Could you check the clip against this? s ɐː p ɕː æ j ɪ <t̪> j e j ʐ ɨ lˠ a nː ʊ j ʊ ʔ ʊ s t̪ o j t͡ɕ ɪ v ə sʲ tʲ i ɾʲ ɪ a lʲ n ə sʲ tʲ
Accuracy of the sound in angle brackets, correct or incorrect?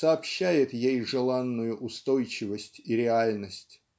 correct